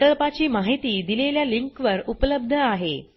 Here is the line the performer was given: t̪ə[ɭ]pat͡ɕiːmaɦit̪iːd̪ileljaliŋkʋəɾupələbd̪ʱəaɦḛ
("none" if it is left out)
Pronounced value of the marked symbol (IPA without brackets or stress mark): ɭ